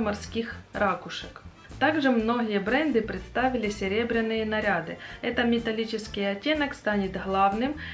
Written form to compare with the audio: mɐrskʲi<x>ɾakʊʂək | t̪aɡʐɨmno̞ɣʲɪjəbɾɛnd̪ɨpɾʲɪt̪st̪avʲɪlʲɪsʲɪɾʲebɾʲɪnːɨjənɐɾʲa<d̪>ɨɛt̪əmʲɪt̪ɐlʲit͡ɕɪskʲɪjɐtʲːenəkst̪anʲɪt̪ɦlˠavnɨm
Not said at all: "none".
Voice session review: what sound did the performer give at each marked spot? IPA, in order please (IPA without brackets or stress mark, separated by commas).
x, d̪